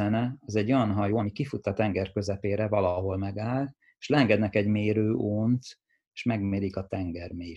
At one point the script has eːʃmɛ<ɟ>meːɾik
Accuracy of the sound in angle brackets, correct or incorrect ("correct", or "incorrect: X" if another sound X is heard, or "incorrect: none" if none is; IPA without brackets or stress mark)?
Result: incorrect: ɡ